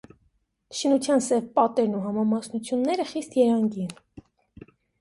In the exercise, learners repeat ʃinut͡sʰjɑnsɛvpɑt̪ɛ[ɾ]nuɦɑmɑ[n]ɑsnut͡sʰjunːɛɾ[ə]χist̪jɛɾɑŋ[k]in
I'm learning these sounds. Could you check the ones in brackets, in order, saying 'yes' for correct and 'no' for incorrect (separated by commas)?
yes, no, yes, no